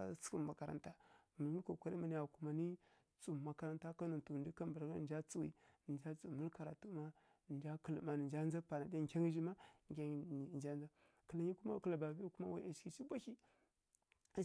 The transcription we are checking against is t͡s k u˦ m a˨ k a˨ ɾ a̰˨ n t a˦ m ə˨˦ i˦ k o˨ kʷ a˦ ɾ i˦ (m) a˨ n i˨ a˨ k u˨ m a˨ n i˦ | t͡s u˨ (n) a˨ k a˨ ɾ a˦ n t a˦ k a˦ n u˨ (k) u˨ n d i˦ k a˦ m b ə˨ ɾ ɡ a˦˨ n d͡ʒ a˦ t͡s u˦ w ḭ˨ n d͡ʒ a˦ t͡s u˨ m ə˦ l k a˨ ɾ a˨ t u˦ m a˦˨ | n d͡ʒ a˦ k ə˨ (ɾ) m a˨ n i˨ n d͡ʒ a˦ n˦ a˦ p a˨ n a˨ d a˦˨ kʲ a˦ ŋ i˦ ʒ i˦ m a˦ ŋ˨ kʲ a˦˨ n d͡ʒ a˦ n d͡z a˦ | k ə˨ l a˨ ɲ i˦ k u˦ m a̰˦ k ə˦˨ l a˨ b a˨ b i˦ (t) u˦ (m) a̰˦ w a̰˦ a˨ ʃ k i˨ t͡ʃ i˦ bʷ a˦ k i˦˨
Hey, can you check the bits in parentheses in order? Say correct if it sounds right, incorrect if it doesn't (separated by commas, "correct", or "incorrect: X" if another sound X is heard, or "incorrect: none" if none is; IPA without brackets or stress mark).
correct, incorrect: m, incorrect: t, incorrect: l, incorrect: k, correct